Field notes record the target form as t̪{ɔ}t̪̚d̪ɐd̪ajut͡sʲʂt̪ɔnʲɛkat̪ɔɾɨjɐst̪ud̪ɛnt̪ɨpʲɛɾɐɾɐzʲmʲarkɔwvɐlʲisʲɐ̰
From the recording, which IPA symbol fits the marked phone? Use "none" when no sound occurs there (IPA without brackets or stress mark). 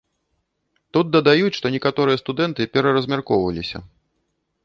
u